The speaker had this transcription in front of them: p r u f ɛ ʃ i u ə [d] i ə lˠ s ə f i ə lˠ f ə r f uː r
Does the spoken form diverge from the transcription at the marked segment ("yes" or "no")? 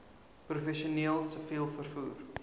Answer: yes